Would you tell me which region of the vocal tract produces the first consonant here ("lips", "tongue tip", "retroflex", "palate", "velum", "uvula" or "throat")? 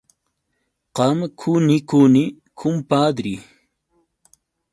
uvula